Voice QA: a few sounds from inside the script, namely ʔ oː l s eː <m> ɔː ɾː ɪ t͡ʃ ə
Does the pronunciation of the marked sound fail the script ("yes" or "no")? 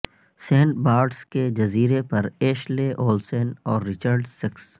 yes